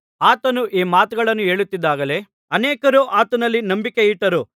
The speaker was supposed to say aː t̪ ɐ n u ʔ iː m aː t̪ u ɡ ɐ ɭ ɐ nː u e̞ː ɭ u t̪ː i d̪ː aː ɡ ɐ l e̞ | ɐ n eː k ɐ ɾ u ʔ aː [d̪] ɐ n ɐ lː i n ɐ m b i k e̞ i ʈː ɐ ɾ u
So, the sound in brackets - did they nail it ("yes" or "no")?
no